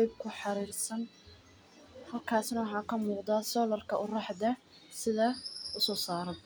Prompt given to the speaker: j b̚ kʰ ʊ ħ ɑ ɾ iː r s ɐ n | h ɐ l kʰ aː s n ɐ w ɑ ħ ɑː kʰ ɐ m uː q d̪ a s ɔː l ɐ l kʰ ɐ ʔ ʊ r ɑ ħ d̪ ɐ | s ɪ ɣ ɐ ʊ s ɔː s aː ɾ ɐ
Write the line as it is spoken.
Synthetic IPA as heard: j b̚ kʰ ʊ ħ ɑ ɾ iː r s ɐ n | h ɐ l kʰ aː s n ɐ w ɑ ħ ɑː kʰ ɐ m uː q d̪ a s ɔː l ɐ r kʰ ɐ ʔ ʊ r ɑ ħ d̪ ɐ | s ɪ ð ɐ ʊ s ɔː s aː ɾ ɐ